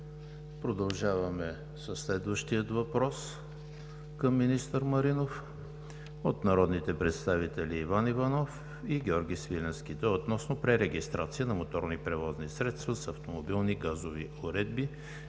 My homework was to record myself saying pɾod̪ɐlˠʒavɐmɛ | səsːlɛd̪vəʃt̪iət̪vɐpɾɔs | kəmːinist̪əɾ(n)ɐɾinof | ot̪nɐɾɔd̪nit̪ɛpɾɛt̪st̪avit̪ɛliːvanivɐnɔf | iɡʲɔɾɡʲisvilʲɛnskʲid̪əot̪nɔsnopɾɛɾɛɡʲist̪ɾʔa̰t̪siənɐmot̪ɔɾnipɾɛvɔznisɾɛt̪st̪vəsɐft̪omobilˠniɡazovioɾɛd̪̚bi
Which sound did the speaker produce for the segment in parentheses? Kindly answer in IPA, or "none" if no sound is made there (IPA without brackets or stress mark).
m